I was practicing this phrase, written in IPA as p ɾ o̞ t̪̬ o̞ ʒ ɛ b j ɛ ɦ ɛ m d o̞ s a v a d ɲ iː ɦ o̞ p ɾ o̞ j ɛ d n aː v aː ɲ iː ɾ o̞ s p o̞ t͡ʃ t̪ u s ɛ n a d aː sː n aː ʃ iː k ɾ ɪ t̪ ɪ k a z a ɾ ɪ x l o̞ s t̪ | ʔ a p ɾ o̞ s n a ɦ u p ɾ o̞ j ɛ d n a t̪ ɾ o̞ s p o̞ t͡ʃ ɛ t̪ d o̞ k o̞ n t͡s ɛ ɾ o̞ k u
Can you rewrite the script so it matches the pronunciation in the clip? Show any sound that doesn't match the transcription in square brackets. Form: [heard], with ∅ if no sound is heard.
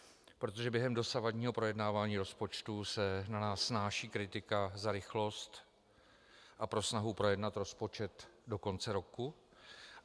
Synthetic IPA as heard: p ɾ o̞ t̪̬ o̞ ʒ ɛ b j ɛ ɦ ɛ m d o̞ s a v a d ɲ iː ɦ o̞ p ɾ o̞ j ɛ d n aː v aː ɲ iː ɾ o̞ s p o̞ t͡ʃ t̪ u s ɛ n a [n] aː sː n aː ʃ iː k ɾ ɪ t̪ ɪ k a z a ɾ ɪ x l o̞ s t̪ | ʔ a p ɾ o̞ s n a ɦ u p ɾ o̞ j ɛ d n a t̪ ɾ o̞ s p o̞ t͡ʃ ɛ t̪ d o̞ k o̞ n t͡s ɛ ɾ o̞ k u